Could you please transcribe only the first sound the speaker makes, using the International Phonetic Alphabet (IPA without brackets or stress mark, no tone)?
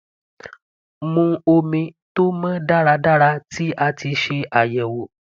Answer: m